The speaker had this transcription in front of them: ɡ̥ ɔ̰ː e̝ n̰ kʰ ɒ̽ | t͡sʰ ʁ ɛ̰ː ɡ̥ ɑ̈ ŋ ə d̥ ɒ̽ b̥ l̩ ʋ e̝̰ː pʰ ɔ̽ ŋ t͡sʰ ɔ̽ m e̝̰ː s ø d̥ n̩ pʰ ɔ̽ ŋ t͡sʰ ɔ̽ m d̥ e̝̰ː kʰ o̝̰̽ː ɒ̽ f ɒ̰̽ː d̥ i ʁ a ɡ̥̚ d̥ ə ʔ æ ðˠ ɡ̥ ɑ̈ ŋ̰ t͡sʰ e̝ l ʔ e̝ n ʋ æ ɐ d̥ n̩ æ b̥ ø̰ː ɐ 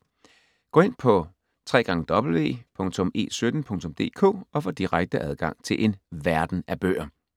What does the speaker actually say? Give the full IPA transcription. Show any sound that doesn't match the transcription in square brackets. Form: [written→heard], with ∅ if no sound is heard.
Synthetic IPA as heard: ɡ̥ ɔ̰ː e̝ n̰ [kʰ→pʰ] ɒ̽ | t͡sʰ ʁ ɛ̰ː ɡ̥ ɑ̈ ŋ ə d̥ ɒ̽ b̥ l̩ ʋ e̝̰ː pʰ ɔ̽ ŋ t͡sʰ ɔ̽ m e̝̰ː s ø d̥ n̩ pʰ ɔ̽ ŋ t͡sʰ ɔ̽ m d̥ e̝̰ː kʰ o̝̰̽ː ɒ̽ f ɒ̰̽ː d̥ i ʁ a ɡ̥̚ d̥ ə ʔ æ ðˠ ɡ̥ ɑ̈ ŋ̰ t͡sʰ e̝ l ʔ e̝ n ʋ æ ɐ d̥ n̩ æ b̥ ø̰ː ɐ

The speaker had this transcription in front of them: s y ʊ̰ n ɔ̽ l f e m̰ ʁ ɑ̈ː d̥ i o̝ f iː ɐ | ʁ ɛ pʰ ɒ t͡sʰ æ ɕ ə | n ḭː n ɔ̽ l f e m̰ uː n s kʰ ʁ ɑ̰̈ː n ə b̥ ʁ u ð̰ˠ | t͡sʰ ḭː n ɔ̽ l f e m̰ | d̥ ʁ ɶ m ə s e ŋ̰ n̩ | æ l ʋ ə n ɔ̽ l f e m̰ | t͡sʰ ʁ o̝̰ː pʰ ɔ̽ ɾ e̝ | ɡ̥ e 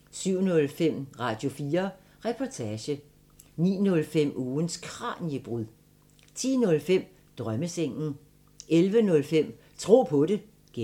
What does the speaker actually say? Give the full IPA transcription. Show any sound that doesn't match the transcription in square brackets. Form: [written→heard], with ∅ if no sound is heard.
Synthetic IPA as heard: s y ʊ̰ n ɔ̽ l f e m̰ ʁ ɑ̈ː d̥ [i→j] o̝ f iː ɐ | ʁ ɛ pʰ ɒ t͡sʰ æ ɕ ə | n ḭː n ɔ̽ l f e m̰ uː n s kʰ ʁ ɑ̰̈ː n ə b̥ ʁ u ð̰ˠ | t͡sʰ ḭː n ɔ̽ l f e m̰ | d̥ ʁ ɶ m ə s e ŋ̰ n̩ | [æ→e] l ʋ ə n ɔ̽ l f e m̰ | t͡sʰ ʁ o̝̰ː pʰ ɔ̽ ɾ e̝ | ɡ̥ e

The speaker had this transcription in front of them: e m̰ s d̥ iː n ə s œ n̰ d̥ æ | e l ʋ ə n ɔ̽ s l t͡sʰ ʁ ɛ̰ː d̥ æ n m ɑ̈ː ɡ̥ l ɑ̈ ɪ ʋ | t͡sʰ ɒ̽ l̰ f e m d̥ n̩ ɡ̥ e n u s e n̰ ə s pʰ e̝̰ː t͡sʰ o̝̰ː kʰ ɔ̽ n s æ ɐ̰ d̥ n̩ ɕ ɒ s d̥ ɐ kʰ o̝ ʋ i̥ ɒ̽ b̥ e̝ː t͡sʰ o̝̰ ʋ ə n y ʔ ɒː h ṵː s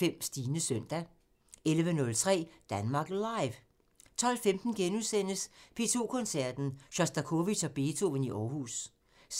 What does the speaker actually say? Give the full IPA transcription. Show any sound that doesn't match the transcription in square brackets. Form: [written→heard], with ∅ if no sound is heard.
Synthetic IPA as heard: e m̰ s d̥ iː n ə s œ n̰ d̥ æ | e l ʋ ə n ɔ̽ [s→∅] l t͡sʰ ʁ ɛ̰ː d̥ æ n m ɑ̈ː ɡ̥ l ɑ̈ ɪ ʋ | t͡sʰ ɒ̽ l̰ f e m d̥ n̩ ɡ̥ e n u s e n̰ ə s pʰ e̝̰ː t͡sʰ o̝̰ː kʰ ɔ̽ n s æ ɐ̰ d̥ n̩ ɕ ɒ s d̥ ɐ kʰ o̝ ʋ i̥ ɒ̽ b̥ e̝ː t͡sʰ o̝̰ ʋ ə n [y→i] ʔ ɒː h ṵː s

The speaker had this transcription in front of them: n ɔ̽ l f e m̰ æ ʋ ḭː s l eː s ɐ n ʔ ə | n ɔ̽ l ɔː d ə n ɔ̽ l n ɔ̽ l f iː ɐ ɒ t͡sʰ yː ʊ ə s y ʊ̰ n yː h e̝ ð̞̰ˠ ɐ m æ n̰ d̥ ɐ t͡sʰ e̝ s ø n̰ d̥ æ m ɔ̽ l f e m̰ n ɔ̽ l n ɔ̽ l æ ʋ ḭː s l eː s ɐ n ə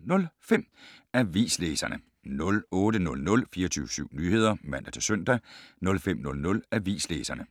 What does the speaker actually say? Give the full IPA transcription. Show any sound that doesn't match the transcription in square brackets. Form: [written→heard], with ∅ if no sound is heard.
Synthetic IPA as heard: n ɔ̽ l f e m̰ æ ʋ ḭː s l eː s ɐ n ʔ ə | n ɔ̽ l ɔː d ə n ɔ̽ l n ɔ̽ l f iː ɐ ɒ t͡sʰ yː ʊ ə s y ʊ̰ n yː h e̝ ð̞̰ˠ ɐ m æ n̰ d̥ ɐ t͡sʰ e̝ s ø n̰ d̥ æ [m→n] ɔ̽ l f e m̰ n ɔ̽ l n ɔ̽ l æ ʋ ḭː s l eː s ɐ n ə

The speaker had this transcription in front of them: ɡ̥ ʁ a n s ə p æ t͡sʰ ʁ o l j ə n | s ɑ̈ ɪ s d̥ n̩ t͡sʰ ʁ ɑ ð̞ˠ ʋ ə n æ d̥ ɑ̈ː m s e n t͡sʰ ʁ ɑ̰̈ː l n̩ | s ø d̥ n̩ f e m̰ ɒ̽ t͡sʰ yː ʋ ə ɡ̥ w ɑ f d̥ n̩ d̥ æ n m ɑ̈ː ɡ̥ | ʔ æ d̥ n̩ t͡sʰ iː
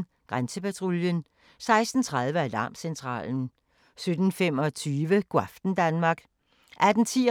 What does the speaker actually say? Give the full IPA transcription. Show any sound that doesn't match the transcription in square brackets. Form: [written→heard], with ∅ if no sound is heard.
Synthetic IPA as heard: ɡ̥ ʁ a n s ə p æ t͡sʰ ʁ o l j ə n | s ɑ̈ ɪ s d̥ n̩ t͡sʰ ʁ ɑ ð̞ˠ ʋ ə [n→∅] æ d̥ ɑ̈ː m s e n t͡sʰ ʁ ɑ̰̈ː l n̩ | s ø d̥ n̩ f e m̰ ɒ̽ t͡sʰ yː ʋ ə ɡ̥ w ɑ f d̥ n̩ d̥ æ n m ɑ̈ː ɡ̥ | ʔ æ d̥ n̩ t͡sʰ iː

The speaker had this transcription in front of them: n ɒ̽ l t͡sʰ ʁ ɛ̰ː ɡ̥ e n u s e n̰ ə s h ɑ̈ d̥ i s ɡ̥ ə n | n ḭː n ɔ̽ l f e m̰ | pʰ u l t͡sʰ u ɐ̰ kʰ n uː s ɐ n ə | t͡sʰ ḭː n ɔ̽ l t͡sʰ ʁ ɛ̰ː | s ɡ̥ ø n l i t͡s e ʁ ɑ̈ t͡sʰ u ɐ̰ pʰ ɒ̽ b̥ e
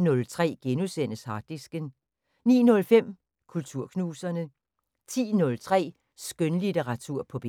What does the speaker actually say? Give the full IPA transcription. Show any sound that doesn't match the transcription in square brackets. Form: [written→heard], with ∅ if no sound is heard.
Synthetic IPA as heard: n [ɒ̽→ɔ̽] l t͡sʰ ʁ ɛ̰ː ɡ̥ e n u s e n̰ ə s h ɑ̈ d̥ i s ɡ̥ ə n | n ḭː n ɔ̽ l f e m̰ | [pʰ→kʰ] u l t͡sʰ u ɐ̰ kʰ n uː s ɐ n ə | t͡sʰ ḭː n ɔ̽ l t͡sʰ ʁ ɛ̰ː | s ɡ̥ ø n l i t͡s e ʁ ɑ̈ t͡sʰ u ɐ̰ pʰ ɒ̽ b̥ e

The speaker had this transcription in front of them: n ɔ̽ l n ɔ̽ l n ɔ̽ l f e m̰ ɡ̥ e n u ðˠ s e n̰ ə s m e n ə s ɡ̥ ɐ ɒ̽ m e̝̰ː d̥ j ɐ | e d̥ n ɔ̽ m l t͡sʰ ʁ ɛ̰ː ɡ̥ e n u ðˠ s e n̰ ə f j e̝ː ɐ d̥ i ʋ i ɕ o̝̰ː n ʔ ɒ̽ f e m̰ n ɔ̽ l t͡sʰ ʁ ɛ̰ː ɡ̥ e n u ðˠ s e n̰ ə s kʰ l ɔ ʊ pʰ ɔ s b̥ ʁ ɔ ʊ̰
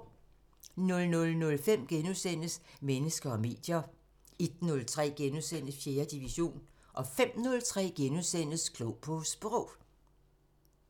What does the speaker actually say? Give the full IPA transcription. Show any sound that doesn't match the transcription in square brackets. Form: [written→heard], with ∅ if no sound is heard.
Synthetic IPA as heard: n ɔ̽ l n ɔ̽ l n ɔ̽ l f e m̰ ɡ̥ e n u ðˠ s e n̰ ə s m e n ə s ɡ̥ ɐ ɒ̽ m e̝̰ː d̥ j ɐ | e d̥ n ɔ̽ [m→∅] l t͡sʰ ʁ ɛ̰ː ɡ̥ e n u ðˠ s e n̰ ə f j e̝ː ɐ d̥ i ʋ i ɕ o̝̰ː n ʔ ɒ̽ f e m̰ n ɔ̽ l t͡sʰ ʁ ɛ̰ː ɡ̥ e n u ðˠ s e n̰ ə s kʰ l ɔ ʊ pʰ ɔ s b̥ ʁ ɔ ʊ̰

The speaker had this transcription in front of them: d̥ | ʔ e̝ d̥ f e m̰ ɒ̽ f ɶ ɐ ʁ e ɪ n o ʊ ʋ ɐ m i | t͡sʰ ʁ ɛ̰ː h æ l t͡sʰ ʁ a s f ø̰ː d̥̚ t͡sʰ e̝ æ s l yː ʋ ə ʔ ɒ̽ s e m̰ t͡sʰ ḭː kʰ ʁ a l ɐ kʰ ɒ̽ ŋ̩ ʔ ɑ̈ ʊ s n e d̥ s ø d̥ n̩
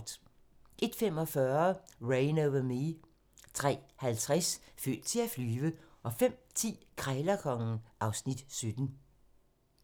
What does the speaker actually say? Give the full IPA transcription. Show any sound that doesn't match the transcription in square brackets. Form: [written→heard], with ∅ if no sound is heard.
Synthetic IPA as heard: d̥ | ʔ e̝ d̥ f e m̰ ɒ̽ f ɶ ɐ ʁ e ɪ n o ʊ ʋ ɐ m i | t͡sʰ ʁ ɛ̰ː h æ l t͡sʰ ʁ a s f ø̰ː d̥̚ t͡sʰ e̝ æ [s→f] l yː ʋ ə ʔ ɒ̽ [s→f] e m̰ t͡sʰ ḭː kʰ ʁ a l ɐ kʰ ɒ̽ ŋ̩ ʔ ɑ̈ ʊ s n [e→i] d̥ s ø d̥ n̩

